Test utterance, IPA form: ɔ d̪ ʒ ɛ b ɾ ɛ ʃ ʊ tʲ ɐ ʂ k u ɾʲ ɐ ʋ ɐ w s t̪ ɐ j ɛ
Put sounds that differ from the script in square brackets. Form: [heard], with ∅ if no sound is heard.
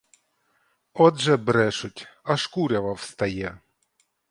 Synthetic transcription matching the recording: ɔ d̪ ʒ ɛ b ɾ ɛ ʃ ʊ tʲ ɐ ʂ k u ɾʲ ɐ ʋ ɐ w s t̪ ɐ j ɛ